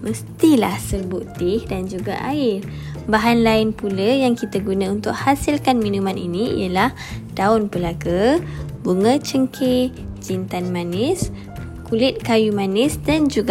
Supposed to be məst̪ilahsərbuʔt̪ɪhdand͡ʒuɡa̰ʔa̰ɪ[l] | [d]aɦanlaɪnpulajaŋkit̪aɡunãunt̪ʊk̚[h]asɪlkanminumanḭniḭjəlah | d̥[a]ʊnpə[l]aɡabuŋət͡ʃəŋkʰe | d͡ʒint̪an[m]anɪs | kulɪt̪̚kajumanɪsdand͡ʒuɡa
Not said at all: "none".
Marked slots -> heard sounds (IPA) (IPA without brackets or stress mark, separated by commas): r, b, h, a, l, m